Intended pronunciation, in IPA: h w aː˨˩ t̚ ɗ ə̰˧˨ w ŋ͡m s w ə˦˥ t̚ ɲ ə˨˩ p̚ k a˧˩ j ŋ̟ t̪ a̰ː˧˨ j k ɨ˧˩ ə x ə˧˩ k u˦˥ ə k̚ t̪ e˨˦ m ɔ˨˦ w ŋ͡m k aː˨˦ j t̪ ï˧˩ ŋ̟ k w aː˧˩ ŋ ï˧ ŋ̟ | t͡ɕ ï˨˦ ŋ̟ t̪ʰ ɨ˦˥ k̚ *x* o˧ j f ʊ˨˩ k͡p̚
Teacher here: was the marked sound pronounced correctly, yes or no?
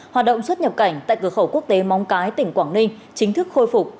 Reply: yes